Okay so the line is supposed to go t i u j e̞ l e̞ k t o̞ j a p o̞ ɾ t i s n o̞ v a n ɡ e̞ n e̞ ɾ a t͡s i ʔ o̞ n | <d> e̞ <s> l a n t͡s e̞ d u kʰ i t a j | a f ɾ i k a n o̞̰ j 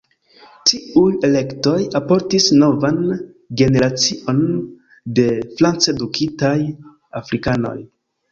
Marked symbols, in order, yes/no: yes, no

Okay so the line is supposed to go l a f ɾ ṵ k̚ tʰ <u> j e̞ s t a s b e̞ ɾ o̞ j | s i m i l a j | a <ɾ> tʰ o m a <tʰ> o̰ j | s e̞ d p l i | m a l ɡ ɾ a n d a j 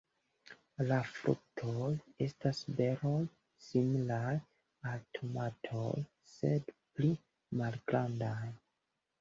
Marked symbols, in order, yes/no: no, no, yes

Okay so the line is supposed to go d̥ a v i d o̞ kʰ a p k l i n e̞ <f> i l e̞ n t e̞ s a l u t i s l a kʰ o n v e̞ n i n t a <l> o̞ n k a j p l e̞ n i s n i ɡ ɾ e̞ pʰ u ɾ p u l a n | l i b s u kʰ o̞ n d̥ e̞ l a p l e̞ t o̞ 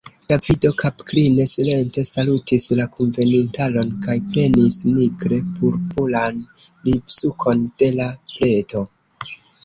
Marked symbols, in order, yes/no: no, yes

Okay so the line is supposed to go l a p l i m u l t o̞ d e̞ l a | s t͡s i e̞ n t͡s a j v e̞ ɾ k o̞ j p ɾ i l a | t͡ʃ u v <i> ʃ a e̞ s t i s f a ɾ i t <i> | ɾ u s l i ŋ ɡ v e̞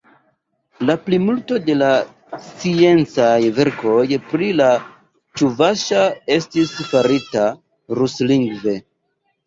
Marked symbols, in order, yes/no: no, no

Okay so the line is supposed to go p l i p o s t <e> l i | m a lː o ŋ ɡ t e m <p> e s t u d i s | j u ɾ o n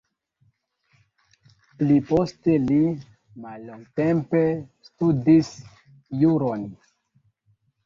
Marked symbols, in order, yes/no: yes, yes

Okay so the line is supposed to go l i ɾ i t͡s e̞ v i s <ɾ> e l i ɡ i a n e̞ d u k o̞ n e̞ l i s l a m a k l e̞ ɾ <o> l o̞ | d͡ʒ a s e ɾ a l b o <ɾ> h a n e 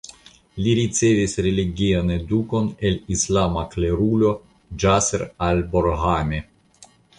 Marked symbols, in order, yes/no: yes, no, yes

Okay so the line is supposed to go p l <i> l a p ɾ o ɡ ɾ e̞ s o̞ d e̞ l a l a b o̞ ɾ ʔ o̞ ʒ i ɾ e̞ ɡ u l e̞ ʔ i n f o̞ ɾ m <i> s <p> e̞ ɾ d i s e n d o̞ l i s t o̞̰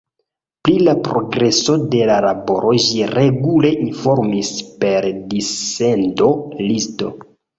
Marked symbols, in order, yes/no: yes, yes, yes

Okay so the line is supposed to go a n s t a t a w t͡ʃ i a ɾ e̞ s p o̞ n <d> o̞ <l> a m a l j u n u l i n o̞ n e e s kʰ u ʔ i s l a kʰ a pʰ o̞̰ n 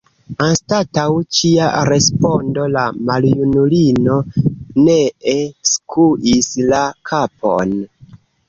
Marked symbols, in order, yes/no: yes, yes

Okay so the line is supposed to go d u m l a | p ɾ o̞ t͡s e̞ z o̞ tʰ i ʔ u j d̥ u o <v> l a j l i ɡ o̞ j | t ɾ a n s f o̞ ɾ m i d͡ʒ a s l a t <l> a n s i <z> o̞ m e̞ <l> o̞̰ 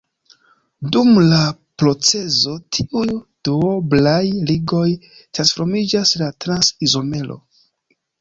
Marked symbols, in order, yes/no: no, no, yes, yes

